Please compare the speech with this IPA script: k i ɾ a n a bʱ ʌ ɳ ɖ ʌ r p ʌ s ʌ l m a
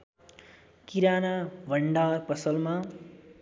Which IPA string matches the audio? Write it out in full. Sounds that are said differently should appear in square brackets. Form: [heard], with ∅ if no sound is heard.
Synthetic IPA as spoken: k i ɾ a n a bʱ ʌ ɳ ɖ [a] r p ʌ s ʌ l m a